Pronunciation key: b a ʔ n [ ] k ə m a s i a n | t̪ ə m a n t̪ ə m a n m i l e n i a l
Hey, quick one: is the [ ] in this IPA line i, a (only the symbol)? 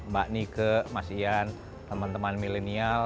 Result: i